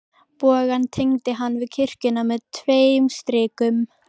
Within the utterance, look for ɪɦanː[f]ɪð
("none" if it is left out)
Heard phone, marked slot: v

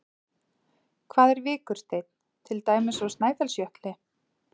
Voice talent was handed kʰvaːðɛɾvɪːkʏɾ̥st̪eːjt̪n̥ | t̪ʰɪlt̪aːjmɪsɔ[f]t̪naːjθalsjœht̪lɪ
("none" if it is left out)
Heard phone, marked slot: s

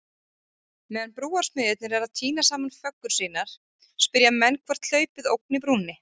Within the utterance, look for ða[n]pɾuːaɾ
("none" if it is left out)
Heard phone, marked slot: n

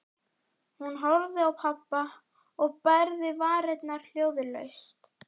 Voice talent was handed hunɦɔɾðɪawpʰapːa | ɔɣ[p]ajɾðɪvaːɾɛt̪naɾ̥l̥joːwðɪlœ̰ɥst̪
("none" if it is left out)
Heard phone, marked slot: p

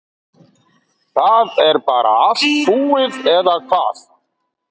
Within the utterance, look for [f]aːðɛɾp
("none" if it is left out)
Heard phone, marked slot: θ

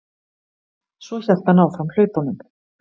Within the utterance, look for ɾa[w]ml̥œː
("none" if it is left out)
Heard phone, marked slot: none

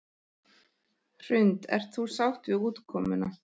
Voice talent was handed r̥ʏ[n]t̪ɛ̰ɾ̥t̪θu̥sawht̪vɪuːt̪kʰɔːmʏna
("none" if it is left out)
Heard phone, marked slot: n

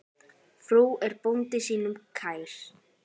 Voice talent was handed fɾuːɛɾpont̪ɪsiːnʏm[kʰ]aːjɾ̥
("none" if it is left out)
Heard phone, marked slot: kʰ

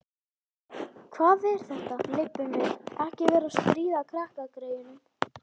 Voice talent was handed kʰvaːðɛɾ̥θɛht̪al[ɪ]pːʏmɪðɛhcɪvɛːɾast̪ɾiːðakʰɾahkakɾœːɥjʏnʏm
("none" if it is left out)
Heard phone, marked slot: ɪ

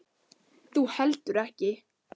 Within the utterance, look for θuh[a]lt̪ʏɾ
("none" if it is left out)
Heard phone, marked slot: ɛ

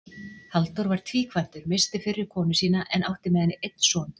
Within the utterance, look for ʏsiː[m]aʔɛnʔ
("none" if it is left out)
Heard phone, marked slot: n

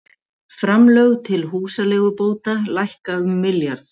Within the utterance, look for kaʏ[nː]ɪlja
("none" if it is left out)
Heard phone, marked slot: mː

